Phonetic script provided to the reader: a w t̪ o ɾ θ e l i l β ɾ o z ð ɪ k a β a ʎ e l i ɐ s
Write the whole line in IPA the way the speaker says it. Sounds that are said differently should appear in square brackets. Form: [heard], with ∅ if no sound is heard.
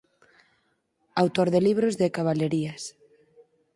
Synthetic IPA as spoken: a w t̪ o ɾ [ð] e l i [∅] β ɾ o z ð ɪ k a β a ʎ e [ɾ] i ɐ s